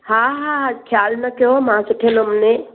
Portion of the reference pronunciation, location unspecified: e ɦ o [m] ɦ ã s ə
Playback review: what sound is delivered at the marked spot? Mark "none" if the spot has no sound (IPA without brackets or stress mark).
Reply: m